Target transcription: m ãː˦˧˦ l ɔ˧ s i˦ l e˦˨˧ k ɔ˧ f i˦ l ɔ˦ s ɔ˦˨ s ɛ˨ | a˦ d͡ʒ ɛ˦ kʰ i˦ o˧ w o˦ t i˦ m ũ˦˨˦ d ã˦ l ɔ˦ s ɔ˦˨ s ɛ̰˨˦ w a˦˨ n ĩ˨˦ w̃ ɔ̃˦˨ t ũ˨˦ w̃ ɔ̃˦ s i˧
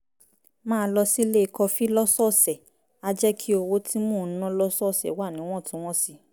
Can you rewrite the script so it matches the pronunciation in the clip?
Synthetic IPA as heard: m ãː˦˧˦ l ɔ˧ s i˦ l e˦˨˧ k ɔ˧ f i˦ l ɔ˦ s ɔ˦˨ s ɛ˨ | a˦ d͡ʒ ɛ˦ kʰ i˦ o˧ w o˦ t i˦ m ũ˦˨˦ n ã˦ l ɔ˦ s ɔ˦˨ s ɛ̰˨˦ w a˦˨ n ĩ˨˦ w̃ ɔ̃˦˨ t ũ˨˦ w̃ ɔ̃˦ s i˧

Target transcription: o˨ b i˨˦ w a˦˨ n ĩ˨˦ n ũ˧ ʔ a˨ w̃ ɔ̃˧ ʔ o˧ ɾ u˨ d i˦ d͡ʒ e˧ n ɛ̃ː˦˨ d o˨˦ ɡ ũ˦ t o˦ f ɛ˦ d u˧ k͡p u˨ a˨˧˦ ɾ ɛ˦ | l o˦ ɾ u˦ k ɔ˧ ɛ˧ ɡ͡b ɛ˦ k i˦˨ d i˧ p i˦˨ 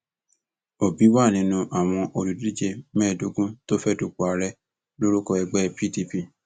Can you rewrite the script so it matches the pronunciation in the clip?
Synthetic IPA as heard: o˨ b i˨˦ w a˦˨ n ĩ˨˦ n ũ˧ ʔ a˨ w̃ ɔ̃˧ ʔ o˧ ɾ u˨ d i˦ d͡ʒ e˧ m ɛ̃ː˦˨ d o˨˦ ɡ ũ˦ t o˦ f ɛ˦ d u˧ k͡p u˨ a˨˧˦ ɾ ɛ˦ | l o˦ ɾ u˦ k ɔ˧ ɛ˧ ɡ͡b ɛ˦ p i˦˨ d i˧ p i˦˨

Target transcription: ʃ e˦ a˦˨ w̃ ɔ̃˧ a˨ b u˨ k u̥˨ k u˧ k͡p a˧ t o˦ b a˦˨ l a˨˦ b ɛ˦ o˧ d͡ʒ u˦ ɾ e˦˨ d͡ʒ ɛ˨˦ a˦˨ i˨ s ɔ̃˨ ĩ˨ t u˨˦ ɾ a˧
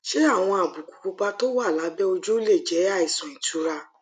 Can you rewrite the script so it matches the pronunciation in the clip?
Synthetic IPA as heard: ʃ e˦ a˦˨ w̃ ɔ̃˧ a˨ b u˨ k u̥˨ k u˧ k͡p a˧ t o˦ w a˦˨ l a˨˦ b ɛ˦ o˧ d͡ʒ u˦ l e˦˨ d͡ʒ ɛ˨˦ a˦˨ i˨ s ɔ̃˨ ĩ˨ t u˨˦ ɾ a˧

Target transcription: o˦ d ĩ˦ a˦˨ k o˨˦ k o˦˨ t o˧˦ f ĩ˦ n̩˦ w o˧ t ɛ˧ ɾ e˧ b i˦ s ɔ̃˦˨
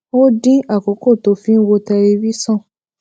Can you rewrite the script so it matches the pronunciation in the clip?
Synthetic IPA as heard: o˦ d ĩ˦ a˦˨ k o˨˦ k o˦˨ t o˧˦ f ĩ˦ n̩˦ w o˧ t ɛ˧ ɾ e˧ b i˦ s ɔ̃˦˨

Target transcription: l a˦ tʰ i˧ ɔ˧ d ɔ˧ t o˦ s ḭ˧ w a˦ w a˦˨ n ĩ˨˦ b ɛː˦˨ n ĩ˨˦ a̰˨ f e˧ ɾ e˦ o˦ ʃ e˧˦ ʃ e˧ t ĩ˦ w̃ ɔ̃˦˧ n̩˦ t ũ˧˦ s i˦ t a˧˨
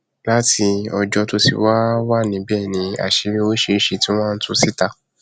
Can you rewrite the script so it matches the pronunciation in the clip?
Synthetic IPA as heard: l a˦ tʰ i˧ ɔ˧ d͡ʒ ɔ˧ t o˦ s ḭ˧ w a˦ w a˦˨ n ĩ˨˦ b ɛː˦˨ n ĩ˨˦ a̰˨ ʃ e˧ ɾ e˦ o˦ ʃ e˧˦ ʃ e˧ t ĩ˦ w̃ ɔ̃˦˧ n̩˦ t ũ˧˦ s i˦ t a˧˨

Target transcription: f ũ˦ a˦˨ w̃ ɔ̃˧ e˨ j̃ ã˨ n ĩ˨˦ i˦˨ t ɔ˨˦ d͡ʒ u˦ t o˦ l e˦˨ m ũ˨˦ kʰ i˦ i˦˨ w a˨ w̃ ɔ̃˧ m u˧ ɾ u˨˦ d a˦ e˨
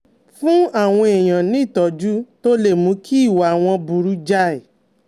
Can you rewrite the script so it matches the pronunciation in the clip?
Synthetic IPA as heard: f ũ˦ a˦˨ w̃ ɔ̃˧ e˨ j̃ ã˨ n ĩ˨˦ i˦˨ t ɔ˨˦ d͡ʒ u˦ t o˦ l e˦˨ m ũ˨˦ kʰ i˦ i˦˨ w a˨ w̃ ɔ̃˧ b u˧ ɾ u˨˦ d͡ʒ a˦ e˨

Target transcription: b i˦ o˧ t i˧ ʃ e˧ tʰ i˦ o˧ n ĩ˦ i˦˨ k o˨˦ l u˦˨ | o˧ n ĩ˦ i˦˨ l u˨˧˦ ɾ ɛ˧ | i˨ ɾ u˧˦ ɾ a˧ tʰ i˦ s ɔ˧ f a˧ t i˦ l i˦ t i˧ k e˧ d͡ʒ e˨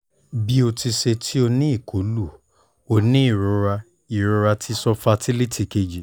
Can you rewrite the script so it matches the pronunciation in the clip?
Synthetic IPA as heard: b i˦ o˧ t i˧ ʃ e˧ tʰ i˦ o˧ n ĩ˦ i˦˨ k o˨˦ l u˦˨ | o˧ n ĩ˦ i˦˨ ɾ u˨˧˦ ɾ a˧ | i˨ ɾ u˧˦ ɾ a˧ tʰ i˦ s ɔ˧ f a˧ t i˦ l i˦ t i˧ k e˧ d͡ʒ i˨

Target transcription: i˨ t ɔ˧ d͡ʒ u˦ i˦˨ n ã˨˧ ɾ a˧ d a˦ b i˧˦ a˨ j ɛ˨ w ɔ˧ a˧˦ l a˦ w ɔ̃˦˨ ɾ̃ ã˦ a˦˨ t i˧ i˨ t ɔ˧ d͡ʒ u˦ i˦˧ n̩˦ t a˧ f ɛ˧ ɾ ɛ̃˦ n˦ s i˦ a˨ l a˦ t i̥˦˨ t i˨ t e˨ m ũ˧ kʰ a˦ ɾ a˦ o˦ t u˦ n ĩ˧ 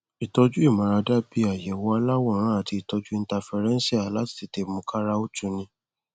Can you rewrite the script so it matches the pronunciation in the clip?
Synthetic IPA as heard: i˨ t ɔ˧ d͡ʒ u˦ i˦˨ m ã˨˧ ɾ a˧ d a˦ b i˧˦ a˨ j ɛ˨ w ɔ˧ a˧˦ l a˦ w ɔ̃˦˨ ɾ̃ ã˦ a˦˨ t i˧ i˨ t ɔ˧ d͡ʒ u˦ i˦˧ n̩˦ t a˧ f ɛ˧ ɾ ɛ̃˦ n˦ s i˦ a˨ l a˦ t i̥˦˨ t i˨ t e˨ m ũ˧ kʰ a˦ ɾ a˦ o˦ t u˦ n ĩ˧

